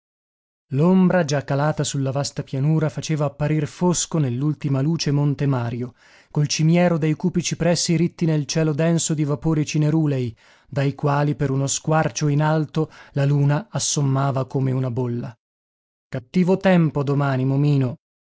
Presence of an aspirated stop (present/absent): absent